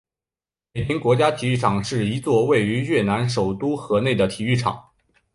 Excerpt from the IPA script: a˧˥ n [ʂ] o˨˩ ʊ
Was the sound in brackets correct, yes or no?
yes